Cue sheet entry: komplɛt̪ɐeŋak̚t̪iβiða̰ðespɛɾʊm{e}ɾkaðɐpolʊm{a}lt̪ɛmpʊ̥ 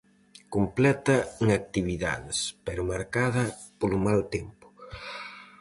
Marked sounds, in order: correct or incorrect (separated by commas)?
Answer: incorrect, correct